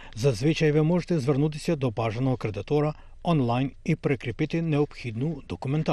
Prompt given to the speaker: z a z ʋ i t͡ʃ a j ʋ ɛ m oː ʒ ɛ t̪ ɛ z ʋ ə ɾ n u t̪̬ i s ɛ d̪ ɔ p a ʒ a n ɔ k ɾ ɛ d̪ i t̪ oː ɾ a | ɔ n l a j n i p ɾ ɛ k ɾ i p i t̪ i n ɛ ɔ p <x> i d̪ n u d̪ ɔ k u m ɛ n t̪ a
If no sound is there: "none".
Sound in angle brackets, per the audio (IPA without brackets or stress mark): x